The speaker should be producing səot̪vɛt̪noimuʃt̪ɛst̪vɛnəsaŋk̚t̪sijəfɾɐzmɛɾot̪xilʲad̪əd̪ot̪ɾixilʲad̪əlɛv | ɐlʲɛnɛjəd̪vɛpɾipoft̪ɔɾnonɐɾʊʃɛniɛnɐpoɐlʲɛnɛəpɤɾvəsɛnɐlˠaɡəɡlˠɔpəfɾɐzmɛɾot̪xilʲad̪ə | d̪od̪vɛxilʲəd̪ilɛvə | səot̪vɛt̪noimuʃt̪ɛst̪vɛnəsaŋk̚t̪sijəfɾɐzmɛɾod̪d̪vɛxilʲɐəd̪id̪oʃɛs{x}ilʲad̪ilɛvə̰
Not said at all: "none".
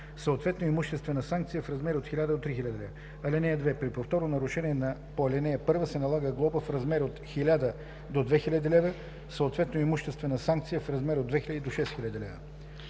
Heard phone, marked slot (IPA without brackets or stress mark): x